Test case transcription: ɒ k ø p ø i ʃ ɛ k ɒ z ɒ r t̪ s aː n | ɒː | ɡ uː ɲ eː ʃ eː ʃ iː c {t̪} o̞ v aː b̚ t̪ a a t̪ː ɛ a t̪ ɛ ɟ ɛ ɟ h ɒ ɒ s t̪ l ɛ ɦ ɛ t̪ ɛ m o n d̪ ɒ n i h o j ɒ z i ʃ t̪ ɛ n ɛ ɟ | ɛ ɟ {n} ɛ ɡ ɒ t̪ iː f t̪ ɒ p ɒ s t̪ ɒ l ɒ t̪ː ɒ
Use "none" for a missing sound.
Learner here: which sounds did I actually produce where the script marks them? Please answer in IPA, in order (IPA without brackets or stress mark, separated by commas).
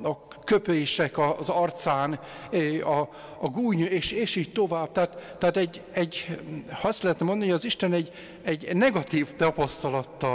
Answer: t̪, n